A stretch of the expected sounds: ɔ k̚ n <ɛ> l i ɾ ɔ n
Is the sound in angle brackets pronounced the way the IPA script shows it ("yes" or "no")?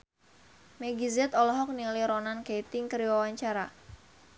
no